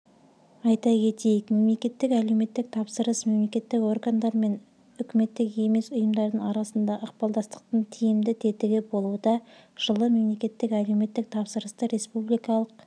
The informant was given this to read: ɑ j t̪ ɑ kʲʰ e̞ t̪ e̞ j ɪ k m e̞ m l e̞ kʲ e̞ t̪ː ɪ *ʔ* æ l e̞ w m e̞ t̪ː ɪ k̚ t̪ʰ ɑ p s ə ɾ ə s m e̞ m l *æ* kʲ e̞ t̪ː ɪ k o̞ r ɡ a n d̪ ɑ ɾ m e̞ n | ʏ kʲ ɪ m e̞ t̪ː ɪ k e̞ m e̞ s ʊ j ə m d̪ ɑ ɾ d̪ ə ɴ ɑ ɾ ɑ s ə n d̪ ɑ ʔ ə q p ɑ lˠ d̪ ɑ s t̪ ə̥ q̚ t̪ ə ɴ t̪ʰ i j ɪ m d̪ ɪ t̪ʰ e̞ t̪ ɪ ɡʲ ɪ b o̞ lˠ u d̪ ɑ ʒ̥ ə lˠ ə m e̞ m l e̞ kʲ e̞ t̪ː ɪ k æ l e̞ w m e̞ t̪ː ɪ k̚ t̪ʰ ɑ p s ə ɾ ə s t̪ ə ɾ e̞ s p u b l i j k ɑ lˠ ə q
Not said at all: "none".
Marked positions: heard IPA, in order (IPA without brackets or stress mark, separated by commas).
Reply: k, e